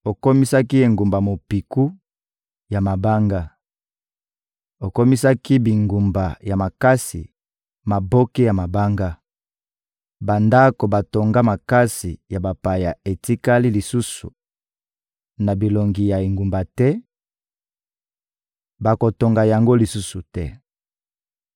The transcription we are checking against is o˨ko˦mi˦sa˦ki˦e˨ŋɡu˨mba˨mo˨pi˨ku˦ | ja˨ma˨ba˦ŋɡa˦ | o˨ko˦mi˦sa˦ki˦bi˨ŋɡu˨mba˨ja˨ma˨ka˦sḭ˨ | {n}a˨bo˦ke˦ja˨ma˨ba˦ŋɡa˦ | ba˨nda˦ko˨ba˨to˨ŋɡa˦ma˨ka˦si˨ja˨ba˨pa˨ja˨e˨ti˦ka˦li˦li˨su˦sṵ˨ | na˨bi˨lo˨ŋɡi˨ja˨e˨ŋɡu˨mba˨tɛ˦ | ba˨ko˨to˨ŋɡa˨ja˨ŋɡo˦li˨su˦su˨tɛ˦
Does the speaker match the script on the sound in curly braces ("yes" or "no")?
no